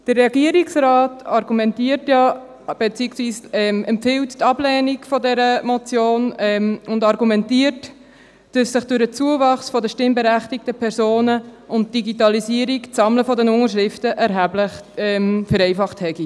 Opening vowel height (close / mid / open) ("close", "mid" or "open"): mid